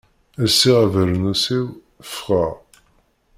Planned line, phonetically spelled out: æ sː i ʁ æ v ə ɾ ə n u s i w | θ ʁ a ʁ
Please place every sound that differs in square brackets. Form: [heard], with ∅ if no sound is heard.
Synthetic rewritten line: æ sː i ʁ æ v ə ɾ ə n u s i w | [f] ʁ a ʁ